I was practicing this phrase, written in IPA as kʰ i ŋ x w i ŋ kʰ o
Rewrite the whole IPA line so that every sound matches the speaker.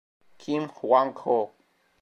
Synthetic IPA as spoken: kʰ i m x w a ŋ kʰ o